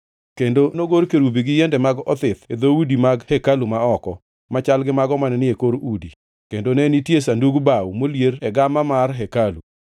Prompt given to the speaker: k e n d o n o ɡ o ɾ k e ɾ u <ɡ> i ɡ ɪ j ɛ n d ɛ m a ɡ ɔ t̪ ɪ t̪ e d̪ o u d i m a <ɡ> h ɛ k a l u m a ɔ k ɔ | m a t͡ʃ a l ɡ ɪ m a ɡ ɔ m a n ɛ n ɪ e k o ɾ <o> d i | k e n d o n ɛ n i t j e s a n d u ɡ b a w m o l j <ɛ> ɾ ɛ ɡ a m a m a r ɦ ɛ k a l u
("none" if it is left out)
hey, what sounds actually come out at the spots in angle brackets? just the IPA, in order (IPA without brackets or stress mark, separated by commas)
b, ɡ, u, e